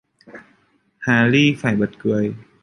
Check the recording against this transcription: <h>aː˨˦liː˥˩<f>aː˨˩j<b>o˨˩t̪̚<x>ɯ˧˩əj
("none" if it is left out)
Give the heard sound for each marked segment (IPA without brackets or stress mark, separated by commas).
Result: h, f, b, k